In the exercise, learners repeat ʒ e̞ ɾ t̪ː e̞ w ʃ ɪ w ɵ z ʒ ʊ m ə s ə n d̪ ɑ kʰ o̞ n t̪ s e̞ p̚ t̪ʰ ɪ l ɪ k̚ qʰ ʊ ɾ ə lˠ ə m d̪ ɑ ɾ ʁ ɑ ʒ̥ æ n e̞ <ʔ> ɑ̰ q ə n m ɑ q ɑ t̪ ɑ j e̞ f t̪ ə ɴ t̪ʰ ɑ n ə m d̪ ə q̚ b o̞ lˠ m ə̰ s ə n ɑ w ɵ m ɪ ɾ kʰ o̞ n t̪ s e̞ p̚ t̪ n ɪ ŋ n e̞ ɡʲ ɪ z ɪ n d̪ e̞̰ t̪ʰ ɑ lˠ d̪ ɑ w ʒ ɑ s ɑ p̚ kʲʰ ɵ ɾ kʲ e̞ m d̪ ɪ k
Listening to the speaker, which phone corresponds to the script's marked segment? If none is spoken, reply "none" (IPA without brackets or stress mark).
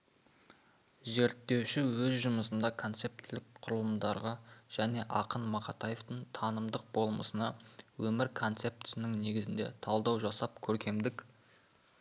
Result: ʔ